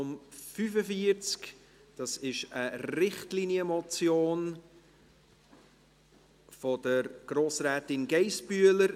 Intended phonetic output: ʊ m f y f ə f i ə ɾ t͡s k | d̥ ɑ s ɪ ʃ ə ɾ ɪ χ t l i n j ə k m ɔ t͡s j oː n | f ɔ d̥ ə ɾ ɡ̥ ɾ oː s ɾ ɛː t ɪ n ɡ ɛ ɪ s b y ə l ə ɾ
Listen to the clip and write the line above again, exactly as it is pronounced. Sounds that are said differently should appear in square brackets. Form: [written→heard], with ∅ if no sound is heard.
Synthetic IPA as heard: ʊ m f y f ə f i ə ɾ t͡s k | d̥ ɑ s ɪ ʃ ə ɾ ɪ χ t l i n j ə [k→∅] m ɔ t͡s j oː n | f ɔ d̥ ə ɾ ɡ̥ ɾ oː s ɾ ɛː t ɪ n ɡ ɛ ɪ s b y ə l ə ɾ

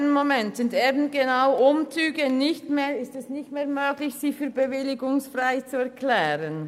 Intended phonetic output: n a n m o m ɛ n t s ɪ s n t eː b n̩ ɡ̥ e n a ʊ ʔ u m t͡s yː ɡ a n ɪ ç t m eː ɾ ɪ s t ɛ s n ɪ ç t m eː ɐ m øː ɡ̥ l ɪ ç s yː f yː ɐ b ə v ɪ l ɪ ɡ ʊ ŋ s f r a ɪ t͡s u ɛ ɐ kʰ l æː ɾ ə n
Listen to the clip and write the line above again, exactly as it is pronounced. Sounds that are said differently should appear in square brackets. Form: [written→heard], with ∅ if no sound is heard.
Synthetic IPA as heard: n [a→ə] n m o m ɛ n t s ɪ [s→∅] n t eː b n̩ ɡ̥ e n a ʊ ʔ [u→ʊ] m t͡s yː ɡ [a→ə] n ɪ ç t m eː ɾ ɪ s t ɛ s n ɪ ç t m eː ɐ m øː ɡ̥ l ɪ ç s [yː→iː] f yː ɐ b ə v ɪ l ɪ ɡ ʊ ŋ s f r a ɪ t͡s u ɛ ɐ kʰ l [æː→ɛː] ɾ ə n

